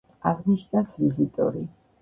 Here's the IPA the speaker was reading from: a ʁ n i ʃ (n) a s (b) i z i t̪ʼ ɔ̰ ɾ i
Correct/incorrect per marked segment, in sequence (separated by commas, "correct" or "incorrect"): correct, incorrect